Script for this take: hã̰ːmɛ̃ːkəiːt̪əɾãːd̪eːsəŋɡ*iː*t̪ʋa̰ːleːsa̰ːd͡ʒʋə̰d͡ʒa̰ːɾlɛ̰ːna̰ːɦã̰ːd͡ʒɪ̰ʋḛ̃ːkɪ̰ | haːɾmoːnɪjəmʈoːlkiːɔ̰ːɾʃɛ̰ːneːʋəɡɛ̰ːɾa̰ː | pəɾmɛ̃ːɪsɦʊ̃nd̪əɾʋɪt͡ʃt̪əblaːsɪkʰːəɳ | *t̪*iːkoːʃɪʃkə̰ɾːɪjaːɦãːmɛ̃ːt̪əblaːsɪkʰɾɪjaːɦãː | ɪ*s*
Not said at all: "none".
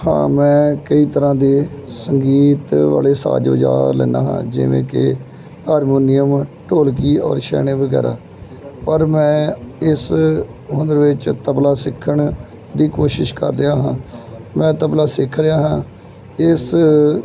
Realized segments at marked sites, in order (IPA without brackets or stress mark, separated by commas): iː, d̪, s